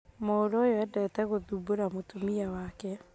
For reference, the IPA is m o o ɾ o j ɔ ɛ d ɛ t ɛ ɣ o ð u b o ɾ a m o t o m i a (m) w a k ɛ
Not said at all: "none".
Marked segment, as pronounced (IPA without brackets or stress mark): none